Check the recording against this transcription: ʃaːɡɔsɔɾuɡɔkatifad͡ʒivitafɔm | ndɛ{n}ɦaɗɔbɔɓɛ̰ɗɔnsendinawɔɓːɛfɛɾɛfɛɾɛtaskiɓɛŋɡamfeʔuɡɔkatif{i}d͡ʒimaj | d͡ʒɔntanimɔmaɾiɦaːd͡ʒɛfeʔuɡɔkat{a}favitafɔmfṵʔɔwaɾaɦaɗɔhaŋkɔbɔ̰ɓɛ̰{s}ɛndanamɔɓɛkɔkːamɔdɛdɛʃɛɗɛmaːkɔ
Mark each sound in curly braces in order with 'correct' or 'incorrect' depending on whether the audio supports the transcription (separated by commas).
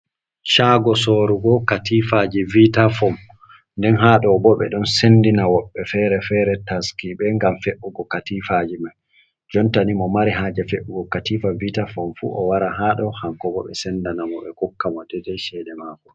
correct, incorrect, incorrect, correct